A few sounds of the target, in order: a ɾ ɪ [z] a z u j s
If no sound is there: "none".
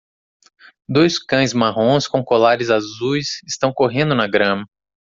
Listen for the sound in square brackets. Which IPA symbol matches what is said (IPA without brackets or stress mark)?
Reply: z